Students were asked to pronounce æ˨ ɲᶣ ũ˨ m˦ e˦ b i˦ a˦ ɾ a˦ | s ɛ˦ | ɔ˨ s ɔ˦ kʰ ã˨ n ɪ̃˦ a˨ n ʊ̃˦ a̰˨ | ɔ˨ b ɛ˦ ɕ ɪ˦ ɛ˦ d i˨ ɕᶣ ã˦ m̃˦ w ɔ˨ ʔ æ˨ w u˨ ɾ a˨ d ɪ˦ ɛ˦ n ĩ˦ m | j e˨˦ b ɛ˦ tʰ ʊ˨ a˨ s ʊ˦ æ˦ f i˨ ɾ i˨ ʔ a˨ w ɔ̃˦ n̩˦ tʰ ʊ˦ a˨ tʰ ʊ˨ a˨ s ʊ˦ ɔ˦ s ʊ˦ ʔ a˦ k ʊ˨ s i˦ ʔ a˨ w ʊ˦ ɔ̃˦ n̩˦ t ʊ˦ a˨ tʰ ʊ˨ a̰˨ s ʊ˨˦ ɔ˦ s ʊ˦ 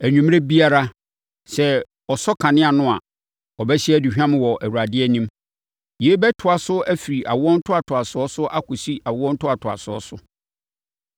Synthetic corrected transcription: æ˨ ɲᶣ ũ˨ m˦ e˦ b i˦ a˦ ɾ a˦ | s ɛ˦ | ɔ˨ s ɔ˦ kʰ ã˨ n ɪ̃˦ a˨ n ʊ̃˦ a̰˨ | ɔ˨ b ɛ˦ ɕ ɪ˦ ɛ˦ d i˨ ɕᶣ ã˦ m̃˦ w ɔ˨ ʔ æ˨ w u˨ ɾ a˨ d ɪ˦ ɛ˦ n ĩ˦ m | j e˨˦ b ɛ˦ tʰ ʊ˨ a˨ s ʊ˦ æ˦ f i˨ ɾ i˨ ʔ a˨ w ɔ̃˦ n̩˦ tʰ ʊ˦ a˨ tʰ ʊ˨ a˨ s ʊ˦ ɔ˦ s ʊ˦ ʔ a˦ k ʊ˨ s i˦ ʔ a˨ w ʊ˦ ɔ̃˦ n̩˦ t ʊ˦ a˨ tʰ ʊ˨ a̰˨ s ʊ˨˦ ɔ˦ s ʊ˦